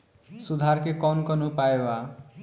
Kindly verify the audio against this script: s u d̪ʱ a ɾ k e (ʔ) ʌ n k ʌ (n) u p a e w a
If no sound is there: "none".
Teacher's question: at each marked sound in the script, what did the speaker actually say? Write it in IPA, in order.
k, n

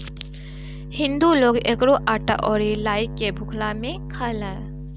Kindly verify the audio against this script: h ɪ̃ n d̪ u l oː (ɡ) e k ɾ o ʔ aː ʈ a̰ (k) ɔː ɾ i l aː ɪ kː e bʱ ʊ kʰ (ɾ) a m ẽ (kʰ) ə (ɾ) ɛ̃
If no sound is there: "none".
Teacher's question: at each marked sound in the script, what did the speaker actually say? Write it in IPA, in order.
ɡ, ʔ, l, kʰ, l

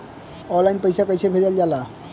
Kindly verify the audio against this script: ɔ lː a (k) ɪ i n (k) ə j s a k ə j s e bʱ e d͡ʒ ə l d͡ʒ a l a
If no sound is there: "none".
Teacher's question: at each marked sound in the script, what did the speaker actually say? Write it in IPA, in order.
none, p

